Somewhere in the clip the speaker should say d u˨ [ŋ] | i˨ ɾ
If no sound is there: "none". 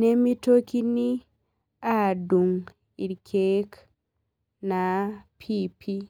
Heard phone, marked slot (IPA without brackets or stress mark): ŋ